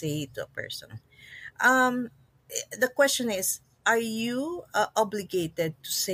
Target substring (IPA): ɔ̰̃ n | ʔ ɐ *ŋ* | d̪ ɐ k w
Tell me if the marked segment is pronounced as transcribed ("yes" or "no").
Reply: no